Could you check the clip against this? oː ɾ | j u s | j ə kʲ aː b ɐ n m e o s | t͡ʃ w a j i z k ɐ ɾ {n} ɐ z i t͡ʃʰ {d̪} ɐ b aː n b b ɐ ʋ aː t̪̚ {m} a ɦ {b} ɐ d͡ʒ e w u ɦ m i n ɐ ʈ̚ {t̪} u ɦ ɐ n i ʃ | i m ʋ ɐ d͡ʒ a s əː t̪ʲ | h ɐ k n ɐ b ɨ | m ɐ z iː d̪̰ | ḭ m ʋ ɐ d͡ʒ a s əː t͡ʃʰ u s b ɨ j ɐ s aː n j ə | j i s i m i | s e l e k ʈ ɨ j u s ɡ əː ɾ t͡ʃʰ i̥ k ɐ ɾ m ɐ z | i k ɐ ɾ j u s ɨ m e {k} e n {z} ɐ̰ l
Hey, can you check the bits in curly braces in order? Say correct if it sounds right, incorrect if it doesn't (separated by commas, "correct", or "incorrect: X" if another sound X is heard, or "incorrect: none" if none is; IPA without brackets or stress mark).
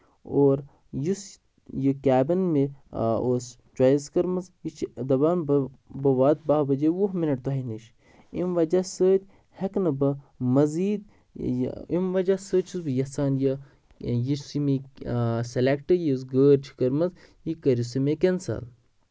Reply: incorrect: m, correct, incorrect: b, correct, correct, correct, incorrect: s